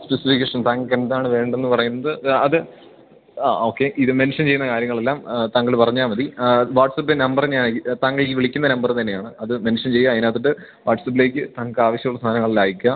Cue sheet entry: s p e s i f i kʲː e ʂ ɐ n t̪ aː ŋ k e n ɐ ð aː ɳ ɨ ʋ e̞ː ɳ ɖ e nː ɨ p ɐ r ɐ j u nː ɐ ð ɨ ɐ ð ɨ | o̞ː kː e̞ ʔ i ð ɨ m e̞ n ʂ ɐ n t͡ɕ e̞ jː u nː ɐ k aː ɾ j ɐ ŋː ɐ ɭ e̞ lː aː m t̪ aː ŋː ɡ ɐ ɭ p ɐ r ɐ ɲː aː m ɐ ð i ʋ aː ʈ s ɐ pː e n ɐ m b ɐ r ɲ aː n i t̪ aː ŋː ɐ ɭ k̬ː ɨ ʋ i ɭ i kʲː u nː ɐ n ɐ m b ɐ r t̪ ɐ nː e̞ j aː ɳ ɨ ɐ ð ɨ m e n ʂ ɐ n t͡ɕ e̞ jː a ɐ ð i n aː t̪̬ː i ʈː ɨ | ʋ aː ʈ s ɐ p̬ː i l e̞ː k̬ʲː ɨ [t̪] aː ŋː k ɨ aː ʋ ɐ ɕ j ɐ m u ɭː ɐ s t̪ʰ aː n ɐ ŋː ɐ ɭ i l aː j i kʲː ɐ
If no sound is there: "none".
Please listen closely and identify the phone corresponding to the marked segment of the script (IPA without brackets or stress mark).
t̪